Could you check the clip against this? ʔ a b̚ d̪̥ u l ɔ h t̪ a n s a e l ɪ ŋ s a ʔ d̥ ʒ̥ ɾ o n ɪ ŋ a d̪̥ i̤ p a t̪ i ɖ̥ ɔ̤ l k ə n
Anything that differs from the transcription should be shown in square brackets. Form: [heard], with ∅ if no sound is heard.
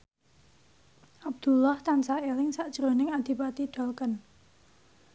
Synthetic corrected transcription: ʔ a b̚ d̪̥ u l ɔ h t̪ a n s a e l ɪ ŋ s a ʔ d̥ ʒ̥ ɾ o n ɪ ŋ a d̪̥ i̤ p a t̪ i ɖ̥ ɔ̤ l k ə n

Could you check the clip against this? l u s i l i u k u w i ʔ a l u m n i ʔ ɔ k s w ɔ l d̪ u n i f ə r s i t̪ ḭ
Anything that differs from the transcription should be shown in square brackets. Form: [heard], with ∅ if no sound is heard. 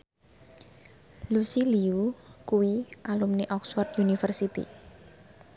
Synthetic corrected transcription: l u s i l i u k u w i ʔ a l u m n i ʔ ɔ k s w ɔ [r] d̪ u n i f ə r s i t̪ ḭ

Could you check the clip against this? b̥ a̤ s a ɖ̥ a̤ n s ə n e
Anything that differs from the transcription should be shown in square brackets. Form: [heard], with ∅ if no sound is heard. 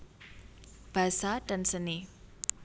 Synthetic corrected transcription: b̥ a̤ s a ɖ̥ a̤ n s ə n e

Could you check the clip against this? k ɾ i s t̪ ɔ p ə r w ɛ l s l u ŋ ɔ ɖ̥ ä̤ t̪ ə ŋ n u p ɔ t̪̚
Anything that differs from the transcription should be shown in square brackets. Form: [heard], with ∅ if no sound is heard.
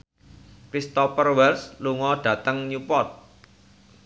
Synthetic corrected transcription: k ɾ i s t̪ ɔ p ə r w ɛ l s l u ŋ ɔ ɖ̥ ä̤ t̪ ə ŋ [ɲ] u p ɔ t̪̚

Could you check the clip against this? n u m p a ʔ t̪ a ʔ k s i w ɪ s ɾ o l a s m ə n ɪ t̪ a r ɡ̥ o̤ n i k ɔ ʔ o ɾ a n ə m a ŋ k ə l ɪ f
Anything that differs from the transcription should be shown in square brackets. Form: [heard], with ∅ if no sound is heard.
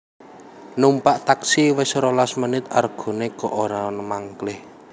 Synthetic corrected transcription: n u m p a ʔ t̪ a [∅] k s i w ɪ s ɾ o l a s m ə n ɪ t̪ a r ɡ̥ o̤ n [e] k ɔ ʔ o ɾ a n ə m a ŋ k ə l ɪ [h]

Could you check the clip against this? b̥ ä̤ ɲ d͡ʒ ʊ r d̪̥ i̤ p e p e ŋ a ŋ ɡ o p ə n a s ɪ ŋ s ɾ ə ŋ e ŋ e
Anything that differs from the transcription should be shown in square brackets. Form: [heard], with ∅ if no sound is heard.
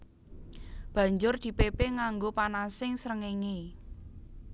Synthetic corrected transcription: b̥ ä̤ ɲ d͡ʒ ʊ r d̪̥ i̤ p e p e ŋ a ŋ ɡ o p [a] n a s ɪ ŋ s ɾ ə ŋ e ŋ e

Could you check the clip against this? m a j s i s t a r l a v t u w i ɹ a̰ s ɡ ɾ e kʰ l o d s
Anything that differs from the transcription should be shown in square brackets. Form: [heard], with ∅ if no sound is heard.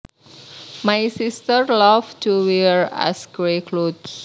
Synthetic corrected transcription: m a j s i s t [ə] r l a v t u w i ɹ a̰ s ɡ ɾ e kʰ l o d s

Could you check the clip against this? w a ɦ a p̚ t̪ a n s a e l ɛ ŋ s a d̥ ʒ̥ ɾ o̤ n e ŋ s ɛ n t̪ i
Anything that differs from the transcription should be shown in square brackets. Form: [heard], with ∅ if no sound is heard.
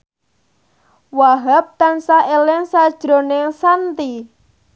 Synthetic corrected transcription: w a ɦ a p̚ t̪ a n s a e l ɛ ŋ s a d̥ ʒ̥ ɾ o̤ n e ŋ s [a] n t̪ i

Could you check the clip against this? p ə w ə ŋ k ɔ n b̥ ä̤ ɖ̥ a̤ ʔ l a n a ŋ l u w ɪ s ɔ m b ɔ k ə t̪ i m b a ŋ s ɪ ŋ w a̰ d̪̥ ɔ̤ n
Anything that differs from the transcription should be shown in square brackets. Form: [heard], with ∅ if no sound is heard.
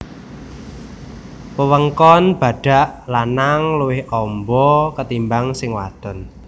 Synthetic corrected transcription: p ə w ə ŋ k ɔ n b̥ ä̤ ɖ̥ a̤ ʔ l a n a ŋ l u w ɪ [h] ɔ m b ɔ k ə t̪ i m b a ŋ s ɪ ŋ w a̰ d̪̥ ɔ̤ n

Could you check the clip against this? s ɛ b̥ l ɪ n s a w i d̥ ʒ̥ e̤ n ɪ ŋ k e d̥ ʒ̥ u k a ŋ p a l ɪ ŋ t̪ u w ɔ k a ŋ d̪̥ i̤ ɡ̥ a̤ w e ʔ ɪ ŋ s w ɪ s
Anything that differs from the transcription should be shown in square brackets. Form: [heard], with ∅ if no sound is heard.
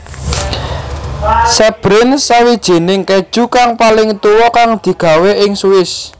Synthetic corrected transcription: s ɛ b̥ [ɾ] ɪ n s a w i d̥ ʒ̥ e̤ n ɪ ŋ k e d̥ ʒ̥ u k a ŋ p a l ɪ ŋ t̪ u w ɔ k a ŋ d̪̥ i̤ ɡ̥ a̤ w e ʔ ɪ ŋ s [u] ɪ s

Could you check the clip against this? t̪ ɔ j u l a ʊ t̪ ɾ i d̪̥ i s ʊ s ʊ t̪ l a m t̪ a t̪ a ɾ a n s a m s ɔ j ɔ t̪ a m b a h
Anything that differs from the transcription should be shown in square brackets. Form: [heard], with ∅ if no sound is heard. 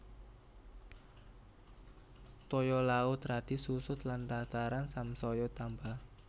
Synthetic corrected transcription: t̪ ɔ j [ɔ] l a ʊ t̪ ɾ [a] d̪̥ i s [u] s ʊ t̪ l a [n] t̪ a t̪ a ɾ a n s a m s ɔ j ɔ t̪ a m b a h

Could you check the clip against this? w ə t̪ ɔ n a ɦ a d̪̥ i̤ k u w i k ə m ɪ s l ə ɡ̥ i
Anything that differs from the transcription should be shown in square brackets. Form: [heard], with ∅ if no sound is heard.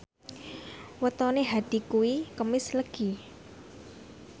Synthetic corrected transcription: w ə t̪ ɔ n [e] ɦ a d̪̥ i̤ k u w i k ə m ɪ s l ə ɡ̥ i

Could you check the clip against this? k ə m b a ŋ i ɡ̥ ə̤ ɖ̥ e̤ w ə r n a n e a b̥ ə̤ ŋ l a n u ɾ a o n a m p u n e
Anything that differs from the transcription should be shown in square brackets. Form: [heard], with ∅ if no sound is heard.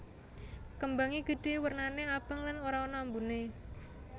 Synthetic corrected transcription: k ə m b a ŋ i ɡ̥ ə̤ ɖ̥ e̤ w ə r n a n e a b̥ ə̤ ŋ l a n [o] ɾ a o n a m [b] u n e

